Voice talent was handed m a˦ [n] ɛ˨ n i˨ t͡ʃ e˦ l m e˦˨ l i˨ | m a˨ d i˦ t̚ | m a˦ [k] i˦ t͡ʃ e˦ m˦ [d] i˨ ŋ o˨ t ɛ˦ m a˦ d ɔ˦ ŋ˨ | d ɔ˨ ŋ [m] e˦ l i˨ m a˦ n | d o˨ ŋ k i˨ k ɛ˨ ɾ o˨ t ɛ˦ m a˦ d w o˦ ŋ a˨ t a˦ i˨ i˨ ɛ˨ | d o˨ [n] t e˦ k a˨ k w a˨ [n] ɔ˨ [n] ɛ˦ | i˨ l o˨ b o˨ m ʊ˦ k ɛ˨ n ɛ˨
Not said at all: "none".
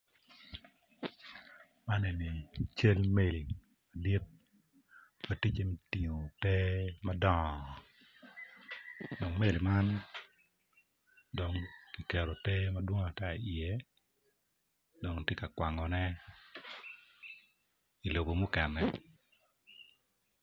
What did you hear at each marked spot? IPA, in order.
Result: n, t, t, m, ŋ, ŋ, n

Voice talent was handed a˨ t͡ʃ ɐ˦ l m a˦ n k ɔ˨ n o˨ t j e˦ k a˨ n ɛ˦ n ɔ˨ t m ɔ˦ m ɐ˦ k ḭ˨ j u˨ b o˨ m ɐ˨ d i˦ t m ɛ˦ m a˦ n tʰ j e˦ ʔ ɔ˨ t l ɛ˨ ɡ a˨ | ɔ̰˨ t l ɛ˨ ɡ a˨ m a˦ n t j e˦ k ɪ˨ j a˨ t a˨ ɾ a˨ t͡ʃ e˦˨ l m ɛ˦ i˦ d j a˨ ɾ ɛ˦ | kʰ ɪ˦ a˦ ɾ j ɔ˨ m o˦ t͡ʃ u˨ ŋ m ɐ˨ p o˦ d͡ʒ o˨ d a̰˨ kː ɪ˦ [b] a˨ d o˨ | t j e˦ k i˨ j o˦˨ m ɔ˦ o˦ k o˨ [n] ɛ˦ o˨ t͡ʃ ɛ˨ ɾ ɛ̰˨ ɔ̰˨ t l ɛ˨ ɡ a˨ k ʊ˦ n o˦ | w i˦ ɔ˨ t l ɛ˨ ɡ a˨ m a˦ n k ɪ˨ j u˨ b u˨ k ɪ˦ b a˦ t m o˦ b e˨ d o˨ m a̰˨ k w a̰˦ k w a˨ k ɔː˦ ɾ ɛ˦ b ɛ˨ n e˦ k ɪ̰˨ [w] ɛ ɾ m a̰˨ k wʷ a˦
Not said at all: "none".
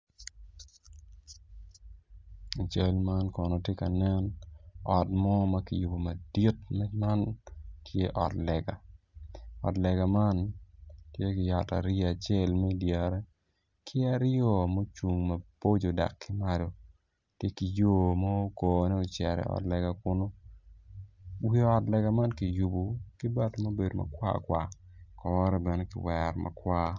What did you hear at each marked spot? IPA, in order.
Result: m, n, w

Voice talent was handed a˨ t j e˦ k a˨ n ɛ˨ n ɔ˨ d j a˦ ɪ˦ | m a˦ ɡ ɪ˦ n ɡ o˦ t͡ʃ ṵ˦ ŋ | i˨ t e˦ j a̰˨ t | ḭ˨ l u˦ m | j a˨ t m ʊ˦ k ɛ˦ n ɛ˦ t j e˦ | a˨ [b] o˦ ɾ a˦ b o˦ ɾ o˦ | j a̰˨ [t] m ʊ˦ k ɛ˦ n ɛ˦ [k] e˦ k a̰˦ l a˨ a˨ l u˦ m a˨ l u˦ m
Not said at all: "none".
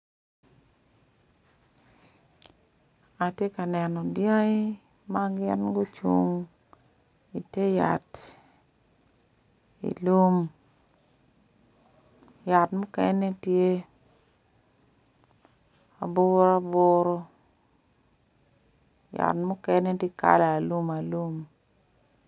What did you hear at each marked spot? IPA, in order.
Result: b, t, t

